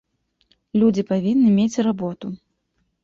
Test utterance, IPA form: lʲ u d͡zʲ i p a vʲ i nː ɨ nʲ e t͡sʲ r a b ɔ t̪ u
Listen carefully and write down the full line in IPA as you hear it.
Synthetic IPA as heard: lʲ u d͡zʲ i p a vʲ i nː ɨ mʲ e t͡sʲ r a b ɔ t̪ u